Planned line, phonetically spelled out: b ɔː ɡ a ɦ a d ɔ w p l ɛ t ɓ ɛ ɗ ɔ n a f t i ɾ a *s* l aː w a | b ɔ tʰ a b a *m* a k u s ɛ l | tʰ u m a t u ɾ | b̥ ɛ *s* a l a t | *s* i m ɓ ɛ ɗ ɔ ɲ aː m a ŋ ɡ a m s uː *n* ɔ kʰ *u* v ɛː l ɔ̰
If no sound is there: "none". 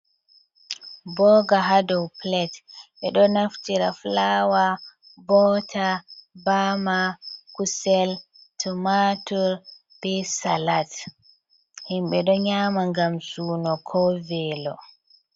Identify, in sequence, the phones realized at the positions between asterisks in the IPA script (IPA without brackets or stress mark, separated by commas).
f, m, s, h, n, ɔ